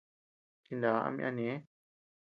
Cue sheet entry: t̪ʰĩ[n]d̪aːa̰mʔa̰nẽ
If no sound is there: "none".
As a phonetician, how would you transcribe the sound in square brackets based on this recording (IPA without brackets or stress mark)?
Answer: n